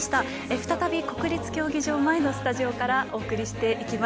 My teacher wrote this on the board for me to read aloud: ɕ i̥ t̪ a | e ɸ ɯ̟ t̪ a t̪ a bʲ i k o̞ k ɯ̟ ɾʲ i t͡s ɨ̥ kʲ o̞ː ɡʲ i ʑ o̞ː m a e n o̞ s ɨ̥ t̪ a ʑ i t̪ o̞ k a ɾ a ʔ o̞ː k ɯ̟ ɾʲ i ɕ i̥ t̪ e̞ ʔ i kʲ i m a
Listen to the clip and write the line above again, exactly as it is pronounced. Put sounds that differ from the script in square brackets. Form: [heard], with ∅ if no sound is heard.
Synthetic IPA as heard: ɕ i̥ t̪ a | e ɸ ɯ̟ t̪ a t̪ a bʲ i k o̞ k ɯ̟ ɾʲ i t͡s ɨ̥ kʲ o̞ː ɡʲ i ʑ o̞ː m a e n o̞ s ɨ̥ t̪ a ʑ i [∅] o̞ k a ɾ a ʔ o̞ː k ɯ̟ ɾʲ i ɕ i̥ t̪ e̞ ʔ i kʲ i m a

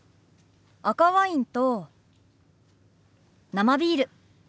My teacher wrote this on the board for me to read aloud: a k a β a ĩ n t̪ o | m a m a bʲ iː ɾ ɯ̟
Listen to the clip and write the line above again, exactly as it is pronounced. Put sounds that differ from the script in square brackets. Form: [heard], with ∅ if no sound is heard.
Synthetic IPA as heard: a k a β a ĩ n t̪ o | [n] a m a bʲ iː ɾ ɯ̟

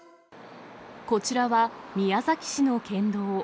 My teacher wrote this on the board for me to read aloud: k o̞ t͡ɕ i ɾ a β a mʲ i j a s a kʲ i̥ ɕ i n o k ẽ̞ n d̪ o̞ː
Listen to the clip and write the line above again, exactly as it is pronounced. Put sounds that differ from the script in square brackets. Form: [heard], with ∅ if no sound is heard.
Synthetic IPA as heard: k o̞ t͡ɕ i ɾ a β a mʲ i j a [z] a kʲ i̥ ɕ i n o k ẽ̞ n d̪ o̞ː

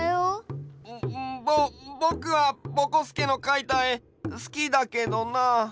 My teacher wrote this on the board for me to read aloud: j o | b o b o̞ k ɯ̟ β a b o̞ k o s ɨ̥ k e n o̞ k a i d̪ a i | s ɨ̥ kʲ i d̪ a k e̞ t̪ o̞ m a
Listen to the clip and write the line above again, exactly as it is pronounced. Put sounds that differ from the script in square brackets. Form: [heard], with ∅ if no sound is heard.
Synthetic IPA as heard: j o | b o b o̞ k ɯ̟ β a b o̞ k o s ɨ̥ k e n o̞ k a i [t̪] a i | s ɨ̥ kʲ i d̪ a k e̞ [d̪] o̞ [n] a

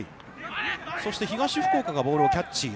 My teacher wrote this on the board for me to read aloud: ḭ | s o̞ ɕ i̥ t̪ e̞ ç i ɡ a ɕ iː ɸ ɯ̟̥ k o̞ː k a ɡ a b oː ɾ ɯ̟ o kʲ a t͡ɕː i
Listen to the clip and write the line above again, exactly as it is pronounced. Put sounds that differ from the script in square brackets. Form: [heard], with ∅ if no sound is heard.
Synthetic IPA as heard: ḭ | s o̞ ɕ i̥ t̪ e̞ ç i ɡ a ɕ [i] ɸ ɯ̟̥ k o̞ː k a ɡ a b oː ɾ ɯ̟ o kʲ a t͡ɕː i

